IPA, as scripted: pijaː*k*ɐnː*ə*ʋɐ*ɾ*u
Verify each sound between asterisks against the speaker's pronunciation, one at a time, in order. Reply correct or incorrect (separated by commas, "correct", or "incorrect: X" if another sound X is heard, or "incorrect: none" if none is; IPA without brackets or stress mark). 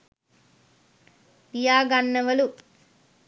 incorrect: ɡ, incorrect: ɐ, incorrect: l